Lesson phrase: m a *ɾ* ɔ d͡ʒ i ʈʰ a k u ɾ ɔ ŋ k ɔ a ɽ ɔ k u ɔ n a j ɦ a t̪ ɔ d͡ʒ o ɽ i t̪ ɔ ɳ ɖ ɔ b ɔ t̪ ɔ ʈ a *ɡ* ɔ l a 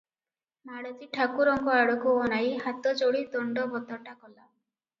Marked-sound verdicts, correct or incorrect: incorrect: ɽ, incorrect: k

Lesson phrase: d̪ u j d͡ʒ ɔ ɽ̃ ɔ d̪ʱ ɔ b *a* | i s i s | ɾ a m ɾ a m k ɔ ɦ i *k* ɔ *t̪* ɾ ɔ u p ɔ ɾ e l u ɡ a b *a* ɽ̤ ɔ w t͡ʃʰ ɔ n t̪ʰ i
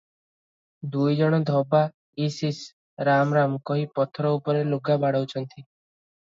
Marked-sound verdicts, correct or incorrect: correct, incorrect: p, incorrect: t̪ʰ, correct

